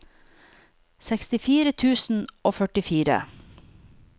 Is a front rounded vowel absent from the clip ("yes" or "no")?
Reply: no